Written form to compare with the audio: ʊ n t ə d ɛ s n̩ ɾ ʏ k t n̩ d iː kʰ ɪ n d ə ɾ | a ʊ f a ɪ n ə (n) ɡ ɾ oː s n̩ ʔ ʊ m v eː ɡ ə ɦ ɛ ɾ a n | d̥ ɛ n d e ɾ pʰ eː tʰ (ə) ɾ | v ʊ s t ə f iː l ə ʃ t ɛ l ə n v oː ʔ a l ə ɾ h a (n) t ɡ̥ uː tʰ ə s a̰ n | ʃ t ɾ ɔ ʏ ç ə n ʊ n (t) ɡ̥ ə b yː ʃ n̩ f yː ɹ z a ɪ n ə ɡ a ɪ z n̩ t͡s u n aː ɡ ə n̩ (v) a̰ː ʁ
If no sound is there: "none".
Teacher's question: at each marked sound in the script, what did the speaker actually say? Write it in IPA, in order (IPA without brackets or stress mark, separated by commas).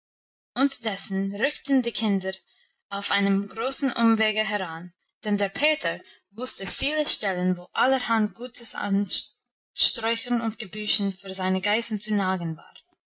m, ə, n, t, v